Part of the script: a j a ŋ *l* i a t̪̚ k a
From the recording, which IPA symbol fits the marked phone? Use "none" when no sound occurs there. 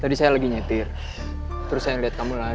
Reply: l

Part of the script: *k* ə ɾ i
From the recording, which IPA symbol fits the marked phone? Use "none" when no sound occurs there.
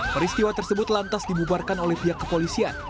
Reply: p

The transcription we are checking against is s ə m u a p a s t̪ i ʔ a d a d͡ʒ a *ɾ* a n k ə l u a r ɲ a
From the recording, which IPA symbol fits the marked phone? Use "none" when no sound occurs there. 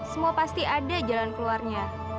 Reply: l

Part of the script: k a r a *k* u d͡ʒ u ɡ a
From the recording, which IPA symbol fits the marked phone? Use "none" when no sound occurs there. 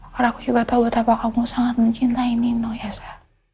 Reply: k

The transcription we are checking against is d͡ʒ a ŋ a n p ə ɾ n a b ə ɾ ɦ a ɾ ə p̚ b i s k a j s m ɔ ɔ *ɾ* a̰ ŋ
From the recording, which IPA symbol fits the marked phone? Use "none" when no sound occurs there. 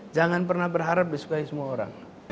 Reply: ɾ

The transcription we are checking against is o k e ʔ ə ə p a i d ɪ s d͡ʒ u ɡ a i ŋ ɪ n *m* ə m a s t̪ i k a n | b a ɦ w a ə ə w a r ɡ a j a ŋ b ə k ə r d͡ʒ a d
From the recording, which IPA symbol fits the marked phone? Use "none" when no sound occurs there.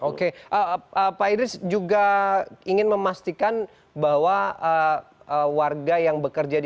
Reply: m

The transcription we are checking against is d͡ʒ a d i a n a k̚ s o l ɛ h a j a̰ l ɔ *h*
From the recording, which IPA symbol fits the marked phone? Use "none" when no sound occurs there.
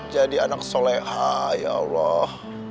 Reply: h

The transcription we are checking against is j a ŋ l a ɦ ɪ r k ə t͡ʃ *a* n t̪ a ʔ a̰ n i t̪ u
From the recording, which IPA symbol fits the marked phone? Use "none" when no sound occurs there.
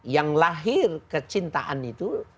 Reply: i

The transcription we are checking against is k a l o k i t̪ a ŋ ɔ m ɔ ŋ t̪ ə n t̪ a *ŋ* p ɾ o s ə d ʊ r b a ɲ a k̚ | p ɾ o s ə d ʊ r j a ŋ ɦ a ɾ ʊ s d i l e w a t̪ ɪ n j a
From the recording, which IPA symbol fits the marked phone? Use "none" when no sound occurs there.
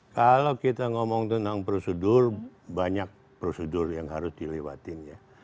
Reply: ŋ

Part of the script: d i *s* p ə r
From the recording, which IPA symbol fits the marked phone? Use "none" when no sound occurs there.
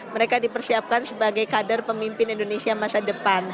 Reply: none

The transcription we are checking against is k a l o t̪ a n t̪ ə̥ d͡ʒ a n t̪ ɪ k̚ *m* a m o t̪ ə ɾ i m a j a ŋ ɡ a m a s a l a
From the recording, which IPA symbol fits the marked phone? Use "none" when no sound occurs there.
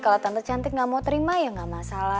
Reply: ŋ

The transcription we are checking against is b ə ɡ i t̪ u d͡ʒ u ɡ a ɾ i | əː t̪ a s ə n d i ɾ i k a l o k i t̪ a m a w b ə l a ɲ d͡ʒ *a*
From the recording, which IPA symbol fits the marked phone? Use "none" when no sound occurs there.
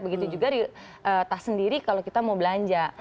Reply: a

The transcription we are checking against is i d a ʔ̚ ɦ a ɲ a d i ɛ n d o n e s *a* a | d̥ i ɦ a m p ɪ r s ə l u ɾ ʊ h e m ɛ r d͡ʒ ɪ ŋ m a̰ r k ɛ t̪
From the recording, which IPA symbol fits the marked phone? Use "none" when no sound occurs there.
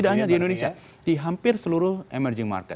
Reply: i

